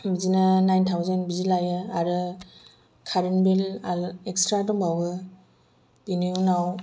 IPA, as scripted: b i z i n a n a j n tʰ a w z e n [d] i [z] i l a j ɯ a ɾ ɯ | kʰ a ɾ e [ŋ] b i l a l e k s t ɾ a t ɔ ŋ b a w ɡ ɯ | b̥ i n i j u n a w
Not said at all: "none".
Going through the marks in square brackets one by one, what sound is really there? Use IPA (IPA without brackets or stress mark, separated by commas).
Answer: b, z, n